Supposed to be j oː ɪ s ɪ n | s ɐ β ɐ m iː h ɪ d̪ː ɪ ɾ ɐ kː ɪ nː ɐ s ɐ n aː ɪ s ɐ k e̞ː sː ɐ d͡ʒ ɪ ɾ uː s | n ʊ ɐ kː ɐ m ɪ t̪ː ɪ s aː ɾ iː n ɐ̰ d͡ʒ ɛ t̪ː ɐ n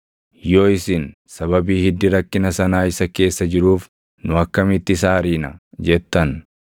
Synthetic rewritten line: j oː ɪ s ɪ n | s ɐ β ɐ b iː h ɪ d̪ː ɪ ɾ ɐ kː ɪ n ɐ s ɐ n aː ɪ s ɐ k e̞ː sː ɐ d͡ʒ ɪ ɾ uː f | n ʊ ɐ kː ɐ m ɪ t̪ː ɪ s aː ɾ iː n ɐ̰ d͡ʒ ɛ t̪ː ɐ n